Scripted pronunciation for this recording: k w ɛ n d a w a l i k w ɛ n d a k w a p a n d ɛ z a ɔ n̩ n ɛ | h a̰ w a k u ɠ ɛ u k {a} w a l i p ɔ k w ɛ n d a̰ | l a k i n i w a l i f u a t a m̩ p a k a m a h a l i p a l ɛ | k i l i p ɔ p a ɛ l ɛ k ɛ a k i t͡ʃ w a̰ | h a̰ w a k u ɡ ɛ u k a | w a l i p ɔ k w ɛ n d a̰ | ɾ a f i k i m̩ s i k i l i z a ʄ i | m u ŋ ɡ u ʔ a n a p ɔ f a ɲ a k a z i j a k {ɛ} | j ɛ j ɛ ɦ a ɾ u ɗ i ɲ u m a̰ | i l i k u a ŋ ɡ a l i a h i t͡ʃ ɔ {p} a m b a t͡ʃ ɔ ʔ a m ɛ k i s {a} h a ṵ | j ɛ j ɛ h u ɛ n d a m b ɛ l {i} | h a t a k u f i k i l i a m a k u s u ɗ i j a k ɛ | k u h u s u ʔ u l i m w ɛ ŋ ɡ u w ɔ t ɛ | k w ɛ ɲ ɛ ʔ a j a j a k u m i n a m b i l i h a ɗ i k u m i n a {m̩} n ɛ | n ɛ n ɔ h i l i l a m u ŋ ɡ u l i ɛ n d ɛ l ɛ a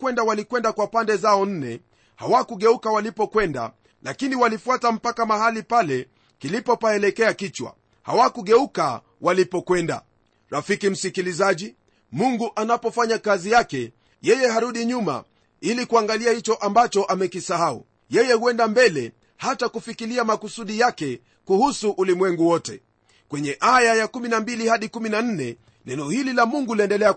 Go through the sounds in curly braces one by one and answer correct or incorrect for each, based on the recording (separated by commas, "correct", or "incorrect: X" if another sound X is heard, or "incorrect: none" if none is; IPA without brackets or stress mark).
correct, correct, incorrect: ʔ, correct, incorrect: ɛ, incorrect: n̩